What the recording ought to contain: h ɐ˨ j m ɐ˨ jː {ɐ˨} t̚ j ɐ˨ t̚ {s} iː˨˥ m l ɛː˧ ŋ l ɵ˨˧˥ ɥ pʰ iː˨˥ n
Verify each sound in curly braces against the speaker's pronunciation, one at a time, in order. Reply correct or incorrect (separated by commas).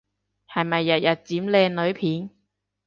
correct, incorrect